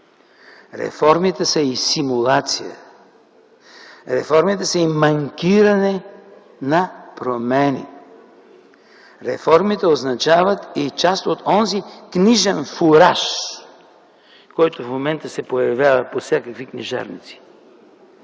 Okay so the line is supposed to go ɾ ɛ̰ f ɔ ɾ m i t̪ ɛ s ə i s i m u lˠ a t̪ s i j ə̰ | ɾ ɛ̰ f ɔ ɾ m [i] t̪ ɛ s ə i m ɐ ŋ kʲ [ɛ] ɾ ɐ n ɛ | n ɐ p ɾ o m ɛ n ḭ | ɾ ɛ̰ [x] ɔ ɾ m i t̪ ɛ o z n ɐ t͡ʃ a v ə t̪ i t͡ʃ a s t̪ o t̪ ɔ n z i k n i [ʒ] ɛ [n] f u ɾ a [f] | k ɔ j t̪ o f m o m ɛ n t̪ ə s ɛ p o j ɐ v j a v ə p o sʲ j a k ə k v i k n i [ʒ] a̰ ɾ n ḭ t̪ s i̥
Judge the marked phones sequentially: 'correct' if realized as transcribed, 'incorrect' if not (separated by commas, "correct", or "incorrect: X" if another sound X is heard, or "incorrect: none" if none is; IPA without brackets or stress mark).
correct, incorrect: i, incorrect: f, correct, correct, incorrect: ʃ, correct